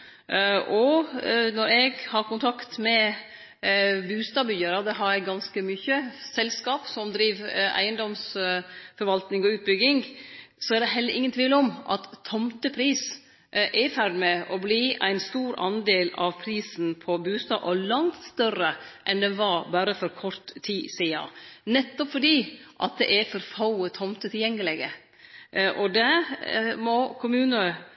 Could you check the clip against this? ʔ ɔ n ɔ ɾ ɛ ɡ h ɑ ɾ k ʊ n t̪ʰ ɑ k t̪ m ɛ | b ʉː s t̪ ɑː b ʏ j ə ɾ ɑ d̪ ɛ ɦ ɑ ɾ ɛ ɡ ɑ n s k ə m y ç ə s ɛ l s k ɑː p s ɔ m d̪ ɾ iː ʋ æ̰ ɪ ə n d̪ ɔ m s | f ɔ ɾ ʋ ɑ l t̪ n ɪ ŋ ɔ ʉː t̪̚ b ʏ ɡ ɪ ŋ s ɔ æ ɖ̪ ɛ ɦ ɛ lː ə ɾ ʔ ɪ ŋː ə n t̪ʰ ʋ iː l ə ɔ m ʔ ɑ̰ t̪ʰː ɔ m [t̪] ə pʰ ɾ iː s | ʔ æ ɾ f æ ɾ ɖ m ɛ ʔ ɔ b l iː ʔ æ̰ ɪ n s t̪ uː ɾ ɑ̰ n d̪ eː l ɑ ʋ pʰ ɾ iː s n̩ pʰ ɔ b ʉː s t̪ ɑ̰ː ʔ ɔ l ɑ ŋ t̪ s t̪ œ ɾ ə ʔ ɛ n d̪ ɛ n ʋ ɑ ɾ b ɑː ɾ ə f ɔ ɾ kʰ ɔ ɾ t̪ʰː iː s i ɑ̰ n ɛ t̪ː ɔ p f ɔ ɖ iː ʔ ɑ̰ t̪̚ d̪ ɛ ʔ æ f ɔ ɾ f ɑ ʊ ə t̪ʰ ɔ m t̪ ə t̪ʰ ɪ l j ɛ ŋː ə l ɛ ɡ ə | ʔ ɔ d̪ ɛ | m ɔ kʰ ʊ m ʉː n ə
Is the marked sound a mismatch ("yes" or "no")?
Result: no